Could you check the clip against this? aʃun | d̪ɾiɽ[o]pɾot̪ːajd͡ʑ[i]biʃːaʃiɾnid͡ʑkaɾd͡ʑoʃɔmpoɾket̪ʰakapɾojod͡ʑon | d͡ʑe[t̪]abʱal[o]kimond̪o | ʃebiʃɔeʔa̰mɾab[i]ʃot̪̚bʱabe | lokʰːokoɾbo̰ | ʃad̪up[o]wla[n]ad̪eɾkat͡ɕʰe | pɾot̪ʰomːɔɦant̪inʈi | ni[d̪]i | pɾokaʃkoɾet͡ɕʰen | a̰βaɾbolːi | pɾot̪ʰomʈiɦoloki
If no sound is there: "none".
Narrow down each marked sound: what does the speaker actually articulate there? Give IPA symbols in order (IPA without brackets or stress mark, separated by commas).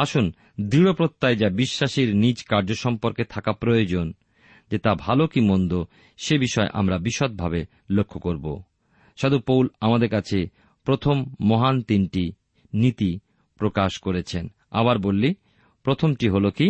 o, a, t̪, o, i, o, m, t̪